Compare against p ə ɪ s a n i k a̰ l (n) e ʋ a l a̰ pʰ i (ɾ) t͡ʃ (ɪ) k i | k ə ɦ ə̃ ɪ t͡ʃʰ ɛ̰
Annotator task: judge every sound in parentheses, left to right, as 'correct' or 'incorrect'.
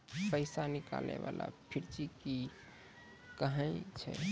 correct, correct, incorrect

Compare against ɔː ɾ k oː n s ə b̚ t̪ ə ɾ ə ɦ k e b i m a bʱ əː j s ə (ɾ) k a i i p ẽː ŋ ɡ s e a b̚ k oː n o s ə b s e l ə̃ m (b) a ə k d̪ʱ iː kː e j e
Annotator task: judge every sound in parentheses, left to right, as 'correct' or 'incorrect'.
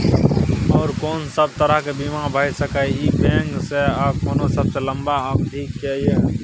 incorrect, correct

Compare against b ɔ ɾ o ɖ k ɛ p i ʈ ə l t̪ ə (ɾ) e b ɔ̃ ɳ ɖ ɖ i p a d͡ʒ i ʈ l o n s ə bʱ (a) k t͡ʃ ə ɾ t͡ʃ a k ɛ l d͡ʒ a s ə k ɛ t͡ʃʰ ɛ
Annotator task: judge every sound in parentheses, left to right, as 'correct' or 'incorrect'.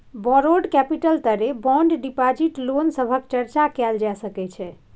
correct, incorrect

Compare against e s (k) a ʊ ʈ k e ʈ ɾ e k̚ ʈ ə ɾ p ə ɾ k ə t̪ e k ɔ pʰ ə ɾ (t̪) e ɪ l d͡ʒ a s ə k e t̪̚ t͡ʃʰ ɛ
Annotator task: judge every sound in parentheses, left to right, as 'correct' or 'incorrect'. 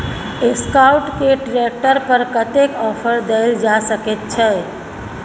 correct, incorrect

